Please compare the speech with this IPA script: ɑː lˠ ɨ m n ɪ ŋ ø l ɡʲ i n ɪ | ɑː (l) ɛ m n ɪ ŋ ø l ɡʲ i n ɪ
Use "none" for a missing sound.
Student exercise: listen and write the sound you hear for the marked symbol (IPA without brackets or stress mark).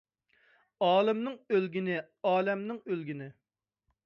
l